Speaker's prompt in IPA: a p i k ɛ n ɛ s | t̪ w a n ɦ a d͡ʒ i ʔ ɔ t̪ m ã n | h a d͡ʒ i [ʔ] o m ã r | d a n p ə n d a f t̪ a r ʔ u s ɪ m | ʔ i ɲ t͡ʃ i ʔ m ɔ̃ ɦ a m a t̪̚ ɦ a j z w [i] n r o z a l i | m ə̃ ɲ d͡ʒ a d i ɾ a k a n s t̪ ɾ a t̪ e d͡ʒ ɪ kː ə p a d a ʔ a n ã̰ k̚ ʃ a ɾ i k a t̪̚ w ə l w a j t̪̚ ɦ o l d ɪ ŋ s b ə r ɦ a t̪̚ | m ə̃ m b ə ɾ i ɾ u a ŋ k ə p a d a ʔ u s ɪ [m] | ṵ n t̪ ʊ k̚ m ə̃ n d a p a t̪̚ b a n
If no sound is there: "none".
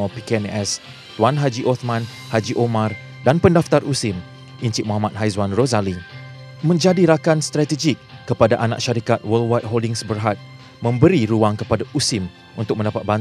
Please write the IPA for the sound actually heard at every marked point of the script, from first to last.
ʔ, a, m

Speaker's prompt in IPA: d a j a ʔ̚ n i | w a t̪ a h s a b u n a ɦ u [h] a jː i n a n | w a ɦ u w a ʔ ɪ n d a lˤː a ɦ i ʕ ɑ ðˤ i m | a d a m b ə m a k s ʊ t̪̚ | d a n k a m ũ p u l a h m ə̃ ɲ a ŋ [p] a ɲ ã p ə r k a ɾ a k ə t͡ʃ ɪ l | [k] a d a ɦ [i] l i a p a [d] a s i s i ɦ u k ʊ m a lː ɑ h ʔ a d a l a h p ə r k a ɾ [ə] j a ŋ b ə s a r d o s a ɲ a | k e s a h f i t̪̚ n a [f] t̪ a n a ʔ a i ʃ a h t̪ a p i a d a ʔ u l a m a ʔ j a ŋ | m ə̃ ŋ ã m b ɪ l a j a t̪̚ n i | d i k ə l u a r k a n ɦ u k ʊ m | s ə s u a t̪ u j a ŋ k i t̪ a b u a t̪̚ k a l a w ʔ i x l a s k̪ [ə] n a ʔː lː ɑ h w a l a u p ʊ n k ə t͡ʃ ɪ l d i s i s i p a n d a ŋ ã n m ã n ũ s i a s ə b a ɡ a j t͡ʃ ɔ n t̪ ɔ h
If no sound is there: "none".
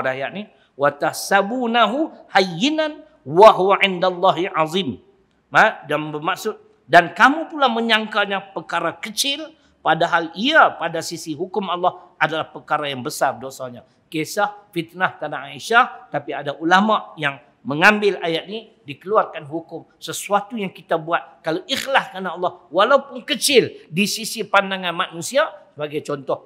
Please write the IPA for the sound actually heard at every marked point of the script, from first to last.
h, k, p, a, d, a, h, a

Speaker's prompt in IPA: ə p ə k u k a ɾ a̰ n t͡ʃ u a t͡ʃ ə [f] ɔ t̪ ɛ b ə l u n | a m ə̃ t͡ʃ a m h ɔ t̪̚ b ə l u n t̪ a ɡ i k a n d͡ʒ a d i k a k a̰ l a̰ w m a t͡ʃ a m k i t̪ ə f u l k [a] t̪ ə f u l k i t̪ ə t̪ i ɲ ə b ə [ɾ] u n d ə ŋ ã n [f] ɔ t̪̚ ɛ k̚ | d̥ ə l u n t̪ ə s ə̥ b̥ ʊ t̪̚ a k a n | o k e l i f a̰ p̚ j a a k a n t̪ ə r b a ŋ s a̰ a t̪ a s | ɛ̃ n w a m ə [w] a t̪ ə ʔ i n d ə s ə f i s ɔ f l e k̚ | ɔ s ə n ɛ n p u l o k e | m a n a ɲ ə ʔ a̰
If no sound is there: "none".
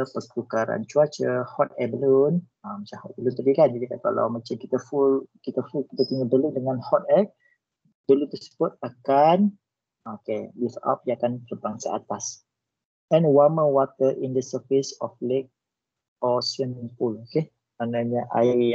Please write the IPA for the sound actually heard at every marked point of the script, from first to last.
h, i, l, h, w

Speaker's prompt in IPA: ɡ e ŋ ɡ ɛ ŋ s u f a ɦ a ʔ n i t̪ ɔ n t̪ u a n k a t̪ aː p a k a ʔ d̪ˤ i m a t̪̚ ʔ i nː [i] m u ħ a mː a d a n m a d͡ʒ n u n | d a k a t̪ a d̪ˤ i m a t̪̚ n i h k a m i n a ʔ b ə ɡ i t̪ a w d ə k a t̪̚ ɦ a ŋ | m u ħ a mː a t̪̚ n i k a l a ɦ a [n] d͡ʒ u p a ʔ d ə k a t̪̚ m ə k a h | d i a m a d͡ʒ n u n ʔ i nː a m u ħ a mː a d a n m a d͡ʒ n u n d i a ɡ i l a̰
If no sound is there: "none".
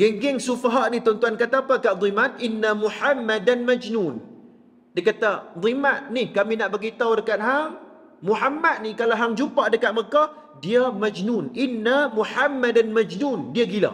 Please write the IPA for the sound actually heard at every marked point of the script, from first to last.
a, ŋ

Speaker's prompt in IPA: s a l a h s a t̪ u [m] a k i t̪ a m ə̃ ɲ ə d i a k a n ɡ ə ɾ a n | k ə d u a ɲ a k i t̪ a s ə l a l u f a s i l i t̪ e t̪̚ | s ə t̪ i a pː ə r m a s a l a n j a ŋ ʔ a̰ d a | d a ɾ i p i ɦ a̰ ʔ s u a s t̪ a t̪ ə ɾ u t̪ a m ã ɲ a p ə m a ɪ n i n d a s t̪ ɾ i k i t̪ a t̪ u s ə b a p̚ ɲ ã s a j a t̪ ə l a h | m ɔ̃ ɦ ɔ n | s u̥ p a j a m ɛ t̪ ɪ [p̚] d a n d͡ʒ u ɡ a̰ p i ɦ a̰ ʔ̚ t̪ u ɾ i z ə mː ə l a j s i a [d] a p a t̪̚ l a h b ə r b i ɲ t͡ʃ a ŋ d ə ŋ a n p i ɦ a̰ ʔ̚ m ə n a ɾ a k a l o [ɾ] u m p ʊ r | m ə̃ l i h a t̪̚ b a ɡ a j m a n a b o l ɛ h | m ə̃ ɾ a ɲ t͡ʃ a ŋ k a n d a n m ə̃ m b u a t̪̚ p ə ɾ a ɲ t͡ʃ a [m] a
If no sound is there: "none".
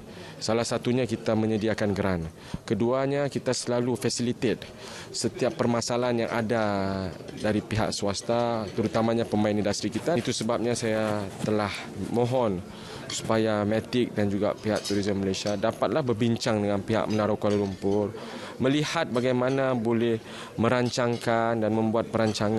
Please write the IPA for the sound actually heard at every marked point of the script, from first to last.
ɲ, k̚, d, l, ŋ

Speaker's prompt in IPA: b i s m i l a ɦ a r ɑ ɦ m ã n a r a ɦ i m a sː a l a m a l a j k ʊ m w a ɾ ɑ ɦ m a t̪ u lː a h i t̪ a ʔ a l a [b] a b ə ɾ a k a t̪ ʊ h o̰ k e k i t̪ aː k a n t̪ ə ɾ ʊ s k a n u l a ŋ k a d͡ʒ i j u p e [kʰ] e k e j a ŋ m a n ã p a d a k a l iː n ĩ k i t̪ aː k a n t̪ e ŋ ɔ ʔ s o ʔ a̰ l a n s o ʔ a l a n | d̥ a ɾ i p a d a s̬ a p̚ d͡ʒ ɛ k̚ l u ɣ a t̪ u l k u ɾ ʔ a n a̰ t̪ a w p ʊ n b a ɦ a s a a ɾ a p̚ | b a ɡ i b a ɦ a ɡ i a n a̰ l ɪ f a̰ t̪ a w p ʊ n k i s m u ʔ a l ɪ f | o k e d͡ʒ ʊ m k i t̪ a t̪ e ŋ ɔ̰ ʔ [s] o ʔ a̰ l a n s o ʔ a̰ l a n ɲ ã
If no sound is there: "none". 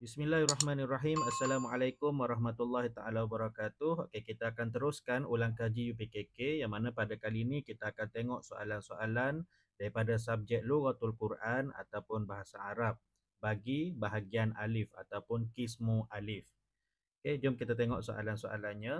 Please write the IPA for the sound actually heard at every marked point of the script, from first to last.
w, k, s

